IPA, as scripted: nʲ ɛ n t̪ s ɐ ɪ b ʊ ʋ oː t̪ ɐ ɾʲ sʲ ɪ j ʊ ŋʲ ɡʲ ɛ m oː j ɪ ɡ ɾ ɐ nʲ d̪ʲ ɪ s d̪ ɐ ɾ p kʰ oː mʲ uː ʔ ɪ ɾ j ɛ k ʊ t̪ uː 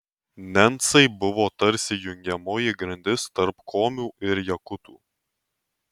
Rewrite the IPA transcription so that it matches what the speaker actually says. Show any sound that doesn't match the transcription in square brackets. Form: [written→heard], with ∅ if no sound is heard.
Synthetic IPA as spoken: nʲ ɛ n t̪ s ɐ ɪ b ʊ ʋ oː t̪ ɐ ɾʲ sʲ ɪ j ʊ ŋʲ ɡʲ ɛ m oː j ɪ ɡ ɾ ɐ nʲ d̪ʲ ɪ s [d̪→t̪] ɐ ɾ p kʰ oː mʲ uː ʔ ɪ ɾ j ɛ k ʊ t̪ uː